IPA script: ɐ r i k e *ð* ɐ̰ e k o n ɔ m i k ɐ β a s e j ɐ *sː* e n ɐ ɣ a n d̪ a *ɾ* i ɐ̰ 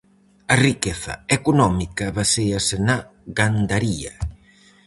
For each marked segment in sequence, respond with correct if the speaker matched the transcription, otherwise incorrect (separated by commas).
incorrect, incorrect, correct